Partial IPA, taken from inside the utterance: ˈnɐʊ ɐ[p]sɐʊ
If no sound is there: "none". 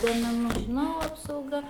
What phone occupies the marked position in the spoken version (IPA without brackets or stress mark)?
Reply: p